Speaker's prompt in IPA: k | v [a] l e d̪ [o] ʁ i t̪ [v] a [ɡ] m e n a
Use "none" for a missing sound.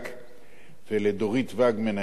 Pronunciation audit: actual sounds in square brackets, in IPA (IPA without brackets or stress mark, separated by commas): e, o, v, ɡ